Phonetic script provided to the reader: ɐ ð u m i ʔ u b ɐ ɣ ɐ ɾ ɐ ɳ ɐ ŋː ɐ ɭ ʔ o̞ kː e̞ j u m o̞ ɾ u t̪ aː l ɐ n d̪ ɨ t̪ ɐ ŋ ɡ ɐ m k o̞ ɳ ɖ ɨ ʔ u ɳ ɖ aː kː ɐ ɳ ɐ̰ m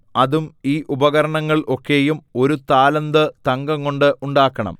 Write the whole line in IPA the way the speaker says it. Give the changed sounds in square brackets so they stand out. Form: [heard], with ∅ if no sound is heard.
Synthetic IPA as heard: ɐ ð u m [iː] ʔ u b ɐ ɣ ɐ ɾ ɐ ɳ ɐ ŋː ɐ ɭ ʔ o̞ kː e̞ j u m o̞ ɾ u t̪ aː l ɐ n d̪ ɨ t̪ ɐ ŋ ɡ ɐ [ŋ] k o̞ ɳ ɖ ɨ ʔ u ɳ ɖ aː kː ɐ ɳ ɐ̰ m